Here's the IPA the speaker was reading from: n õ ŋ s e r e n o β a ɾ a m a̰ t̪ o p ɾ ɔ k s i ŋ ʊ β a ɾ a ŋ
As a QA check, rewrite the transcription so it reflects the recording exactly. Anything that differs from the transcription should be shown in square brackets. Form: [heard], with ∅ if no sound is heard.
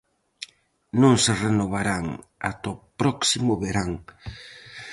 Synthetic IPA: n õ ŋ s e r e n o β a ɾ a [ŋ] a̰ t̪ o p ɾ ɔ k s i [m] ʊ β [e] ɾ a ŋ